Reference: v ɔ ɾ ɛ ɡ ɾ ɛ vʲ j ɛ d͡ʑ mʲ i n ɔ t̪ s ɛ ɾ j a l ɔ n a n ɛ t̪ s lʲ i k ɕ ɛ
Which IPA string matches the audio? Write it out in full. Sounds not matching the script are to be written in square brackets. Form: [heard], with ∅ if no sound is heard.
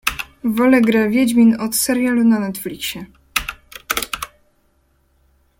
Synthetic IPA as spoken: v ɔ [l] ɛ ɡ ɾ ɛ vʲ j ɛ d͡ʑ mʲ i n ɔ t̪ s ɛ ɾ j a l [u] n a n ɛ t̪ [f] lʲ i k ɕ ɛ